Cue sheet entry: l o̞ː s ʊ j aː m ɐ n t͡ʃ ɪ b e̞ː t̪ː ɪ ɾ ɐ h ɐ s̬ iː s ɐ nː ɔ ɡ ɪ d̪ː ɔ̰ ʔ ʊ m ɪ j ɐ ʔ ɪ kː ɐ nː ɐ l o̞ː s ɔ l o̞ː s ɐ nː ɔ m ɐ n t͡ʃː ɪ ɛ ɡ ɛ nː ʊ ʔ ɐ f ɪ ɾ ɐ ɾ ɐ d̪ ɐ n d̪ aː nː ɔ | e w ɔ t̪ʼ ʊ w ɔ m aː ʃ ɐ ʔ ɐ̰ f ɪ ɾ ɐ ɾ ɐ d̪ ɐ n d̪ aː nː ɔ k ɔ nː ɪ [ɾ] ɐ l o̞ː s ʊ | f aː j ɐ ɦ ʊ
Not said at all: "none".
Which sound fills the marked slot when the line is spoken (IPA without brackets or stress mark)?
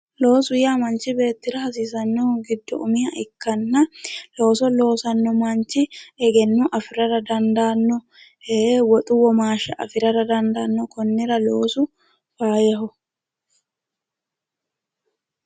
ɾ